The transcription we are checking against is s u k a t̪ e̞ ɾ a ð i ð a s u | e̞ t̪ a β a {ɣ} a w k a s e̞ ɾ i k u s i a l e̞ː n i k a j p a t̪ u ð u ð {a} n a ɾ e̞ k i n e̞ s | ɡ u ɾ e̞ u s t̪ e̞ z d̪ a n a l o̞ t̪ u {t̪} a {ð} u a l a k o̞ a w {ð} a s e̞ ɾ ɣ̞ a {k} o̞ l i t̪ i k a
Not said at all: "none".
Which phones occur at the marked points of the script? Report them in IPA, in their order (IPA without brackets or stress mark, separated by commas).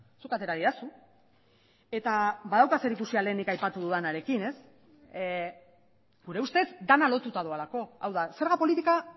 ð, a, t̪, ð, ð, p